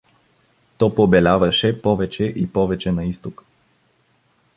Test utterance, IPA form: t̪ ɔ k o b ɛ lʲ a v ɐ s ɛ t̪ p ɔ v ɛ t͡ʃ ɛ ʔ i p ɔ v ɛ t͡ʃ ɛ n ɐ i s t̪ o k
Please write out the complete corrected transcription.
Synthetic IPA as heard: t̪ ɔ p o b ɛ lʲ a v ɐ ʃ ɛ p ɔ v ɛ t͡ʃ ɛ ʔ i p ɔ v ɛ t͡ʃ ɛ n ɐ i s t̪ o k